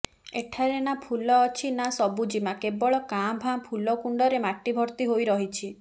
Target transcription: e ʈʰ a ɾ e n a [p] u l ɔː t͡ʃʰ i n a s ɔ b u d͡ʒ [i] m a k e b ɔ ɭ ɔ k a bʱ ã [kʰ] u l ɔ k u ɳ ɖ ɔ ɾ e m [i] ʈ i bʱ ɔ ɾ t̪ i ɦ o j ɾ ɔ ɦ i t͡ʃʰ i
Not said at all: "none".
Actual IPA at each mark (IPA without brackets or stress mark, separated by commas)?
pʰ, i, pʰ, a